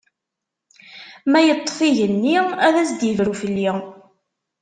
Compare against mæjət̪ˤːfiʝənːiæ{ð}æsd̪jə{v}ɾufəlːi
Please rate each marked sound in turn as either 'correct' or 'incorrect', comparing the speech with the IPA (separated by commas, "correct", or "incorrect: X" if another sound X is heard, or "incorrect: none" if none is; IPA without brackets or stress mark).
correct, correct